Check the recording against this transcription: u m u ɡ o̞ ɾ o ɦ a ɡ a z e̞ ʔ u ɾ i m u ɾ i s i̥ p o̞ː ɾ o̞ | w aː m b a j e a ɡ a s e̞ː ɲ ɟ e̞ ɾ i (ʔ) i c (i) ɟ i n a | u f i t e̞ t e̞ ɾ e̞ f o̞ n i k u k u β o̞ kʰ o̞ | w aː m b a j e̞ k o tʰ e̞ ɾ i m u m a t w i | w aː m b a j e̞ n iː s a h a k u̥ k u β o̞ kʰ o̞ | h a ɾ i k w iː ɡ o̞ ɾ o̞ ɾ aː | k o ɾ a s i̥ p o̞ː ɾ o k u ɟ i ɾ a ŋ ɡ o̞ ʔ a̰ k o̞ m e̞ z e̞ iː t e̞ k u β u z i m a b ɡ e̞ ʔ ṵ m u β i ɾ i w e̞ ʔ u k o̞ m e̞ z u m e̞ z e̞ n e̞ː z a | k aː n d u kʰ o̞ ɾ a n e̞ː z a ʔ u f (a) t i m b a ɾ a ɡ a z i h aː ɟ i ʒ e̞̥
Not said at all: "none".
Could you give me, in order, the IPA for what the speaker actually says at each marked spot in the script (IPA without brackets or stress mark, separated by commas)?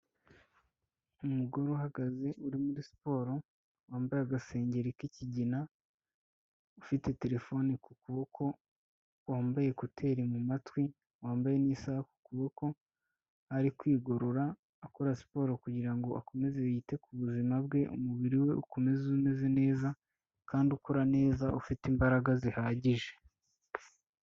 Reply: k, i, i